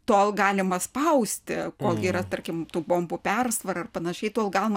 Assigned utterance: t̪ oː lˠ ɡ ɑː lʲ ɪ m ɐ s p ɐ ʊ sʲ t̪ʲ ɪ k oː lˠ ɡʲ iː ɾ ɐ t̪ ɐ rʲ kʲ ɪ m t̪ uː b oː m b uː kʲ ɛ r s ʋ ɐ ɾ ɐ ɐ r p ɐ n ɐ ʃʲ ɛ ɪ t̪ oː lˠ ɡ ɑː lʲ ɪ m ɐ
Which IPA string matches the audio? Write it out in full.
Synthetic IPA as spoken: t̪ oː lˠ ɡ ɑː lʲ ɪ m ɐ s p ɐ ʊ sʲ t̪ʲ ɪ k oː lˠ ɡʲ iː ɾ ɐ t̪ ɐ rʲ kʲ ɪ m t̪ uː b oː m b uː pʲ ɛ r s ʋ ɐ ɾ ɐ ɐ r p ɐ n ɐ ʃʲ ɛ ɪ t̪ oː lˠ ɡ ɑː lʲ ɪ m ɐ